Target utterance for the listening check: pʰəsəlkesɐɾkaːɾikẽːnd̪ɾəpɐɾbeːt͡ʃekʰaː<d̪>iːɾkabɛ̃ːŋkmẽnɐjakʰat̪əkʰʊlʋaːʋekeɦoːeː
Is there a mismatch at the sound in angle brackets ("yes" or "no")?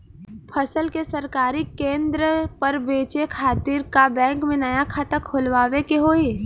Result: yes